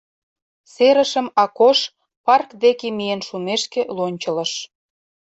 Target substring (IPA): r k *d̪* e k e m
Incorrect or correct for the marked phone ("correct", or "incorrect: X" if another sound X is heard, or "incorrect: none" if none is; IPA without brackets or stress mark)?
correct